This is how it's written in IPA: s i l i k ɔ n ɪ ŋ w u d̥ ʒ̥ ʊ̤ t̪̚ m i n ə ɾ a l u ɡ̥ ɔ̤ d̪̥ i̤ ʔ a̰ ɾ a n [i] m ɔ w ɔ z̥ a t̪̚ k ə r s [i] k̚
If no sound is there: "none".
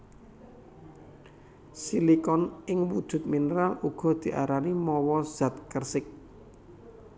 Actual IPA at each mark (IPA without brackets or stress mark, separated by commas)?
i, ɪ